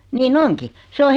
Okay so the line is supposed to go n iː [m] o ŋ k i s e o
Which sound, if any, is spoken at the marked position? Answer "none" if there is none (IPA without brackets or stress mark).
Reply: n